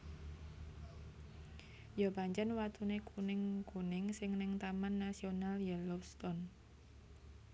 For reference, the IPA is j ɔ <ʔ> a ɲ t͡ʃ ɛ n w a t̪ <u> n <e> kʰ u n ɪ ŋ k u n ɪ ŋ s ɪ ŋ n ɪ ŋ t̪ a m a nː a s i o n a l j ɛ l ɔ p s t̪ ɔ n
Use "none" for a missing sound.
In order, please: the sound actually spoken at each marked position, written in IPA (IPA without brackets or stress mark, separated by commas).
p, u, e